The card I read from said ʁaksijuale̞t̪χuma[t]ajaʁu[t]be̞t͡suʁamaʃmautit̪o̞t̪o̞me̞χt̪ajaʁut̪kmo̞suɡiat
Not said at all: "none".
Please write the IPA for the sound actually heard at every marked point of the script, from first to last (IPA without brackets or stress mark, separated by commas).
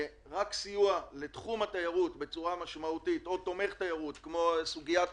t, t